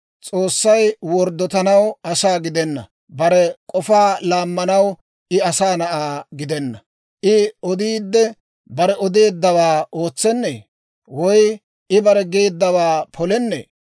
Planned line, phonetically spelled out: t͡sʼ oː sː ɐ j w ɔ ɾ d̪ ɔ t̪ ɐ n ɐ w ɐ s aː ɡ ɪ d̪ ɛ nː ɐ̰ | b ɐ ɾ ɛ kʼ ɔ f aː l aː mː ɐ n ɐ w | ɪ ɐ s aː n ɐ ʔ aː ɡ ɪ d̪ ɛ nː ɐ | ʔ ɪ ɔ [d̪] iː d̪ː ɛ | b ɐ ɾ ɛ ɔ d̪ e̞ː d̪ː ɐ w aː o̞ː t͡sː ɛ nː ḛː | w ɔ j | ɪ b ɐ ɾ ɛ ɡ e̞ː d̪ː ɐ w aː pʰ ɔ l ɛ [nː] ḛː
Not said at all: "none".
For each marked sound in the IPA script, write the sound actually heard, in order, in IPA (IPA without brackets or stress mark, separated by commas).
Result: d̪, nː